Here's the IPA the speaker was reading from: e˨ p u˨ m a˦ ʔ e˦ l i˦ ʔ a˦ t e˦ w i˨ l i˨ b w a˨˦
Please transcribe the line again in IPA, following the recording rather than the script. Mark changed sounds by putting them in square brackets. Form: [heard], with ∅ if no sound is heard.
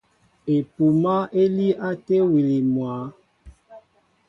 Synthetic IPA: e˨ p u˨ m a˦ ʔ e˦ l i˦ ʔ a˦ t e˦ w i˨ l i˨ [m] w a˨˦